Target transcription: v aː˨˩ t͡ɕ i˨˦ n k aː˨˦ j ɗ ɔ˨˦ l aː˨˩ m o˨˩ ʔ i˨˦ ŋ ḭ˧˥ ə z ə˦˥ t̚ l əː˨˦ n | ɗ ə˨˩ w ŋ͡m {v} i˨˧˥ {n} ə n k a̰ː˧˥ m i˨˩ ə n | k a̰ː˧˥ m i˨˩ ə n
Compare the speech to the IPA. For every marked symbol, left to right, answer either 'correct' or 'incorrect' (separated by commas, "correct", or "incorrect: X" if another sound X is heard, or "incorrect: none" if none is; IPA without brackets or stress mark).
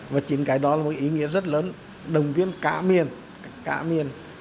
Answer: correct, incorrect: none